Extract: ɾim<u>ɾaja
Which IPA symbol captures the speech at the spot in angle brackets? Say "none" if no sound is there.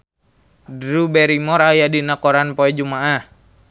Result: ɔ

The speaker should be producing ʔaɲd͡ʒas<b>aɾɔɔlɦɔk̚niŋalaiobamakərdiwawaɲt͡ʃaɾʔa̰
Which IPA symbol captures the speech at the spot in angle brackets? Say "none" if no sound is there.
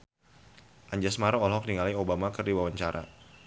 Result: m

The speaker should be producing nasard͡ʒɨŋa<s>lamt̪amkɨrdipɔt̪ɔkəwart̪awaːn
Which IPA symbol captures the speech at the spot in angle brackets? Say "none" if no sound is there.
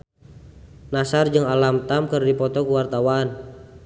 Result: none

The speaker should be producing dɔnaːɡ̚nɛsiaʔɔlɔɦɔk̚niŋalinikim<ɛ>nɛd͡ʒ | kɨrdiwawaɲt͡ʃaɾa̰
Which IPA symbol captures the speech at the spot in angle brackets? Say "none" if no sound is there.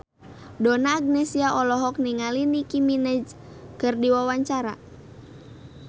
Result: i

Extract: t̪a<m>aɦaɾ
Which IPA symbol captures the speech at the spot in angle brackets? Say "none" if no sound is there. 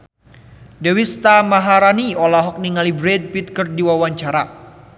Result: m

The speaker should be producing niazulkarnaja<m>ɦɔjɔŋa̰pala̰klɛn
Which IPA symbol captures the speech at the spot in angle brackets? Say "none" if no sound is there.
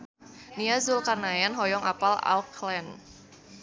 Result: n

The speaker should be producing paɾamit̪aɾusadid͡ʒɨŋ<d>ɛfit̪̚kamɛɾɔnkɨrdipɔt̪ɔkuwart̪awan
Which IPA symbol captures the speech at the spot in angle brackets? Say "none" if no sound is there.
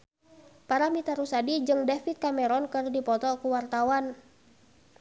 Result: d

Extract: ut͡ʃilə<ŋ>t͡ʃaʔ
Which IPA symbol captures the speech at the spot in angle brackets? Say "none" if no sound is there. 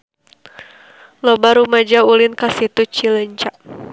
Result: ɲ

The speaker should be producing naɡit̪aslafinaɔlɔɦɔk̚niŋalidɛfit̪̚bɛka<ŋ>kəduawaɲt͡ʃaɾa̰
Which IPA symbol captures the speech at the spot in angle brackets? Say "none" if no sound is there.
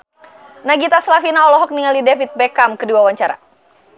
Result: m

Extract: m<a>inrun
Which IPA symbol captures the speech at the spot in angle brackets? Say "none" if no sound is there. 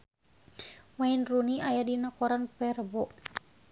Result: a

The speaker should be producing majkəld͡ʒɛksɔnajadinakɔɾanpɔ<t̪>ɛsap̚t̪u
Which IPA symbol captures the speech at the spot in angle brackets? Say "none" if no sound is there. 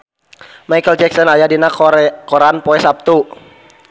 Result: none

